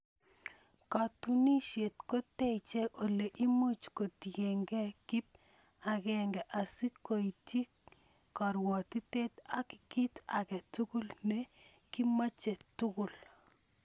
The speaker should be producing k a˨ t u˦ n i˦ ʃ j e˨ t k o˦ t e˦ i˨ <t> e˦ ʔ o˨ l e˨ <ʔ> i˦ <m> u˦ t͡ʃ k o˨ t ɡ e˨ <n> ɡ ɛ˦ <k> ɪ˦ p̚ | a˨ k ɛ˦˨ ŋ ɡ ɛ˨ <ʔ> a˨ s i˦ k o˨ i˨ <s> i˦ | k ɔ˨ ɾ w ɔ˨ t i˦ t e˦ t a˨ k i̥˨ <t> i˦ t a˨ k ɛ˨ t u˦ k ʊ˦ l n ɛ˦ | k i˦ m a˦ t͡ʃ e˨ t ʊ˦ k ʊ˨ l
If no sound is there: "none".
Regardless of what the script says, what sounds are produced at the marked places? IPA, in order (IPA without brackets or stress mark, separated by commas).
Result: t͡ʃ, ʔ, m, ŋ, k, ʔ, t, k